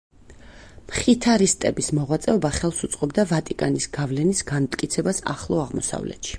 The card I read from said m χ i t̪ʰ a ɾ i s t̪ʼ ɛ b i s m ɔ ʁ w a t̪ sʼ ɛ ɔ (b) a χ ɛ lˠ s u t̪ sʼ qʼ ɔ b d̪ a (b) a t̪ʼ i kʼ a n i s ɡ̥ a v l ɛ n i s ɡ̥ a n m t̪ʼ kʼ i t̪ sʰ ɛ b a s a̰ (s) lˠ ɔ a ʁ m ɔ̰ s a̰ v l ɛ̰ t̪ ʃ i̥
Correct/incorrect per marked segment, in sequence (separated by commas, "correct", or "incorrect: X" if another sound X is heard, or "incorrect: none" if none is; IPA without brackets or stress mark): correct, incorrect: v, incorrect: χ